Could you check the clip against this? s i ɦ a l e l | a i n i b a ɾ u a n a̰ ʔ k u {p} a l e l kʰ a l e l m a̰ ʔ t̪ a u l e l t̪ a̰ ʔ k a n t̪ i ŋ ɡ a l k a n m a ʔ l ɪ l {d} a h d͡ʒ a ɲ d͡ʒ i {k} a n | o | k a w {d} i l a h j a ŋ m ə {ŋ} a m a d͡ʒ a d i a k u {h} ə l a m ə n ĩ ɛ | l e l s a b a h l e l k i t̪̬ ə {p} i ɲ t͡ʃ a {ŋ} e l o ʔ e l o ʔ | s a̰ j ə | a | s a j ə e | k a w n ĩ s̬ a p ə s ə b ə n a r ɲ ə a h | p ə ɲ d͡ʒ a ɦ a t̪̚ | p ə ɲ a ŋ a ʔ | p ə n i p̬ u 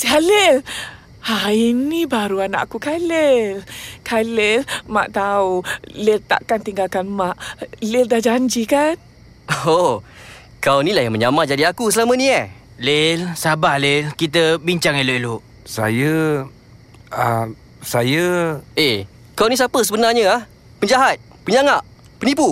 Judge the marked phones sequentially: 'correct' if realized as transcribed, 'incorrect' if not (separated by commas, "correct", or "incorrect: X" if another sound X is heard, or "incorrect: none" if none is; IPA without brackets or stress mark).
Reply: incorrect: k, correct, correct, incorrect: n, incorrect: ɲ, incorrect: s, incorrect: b, correct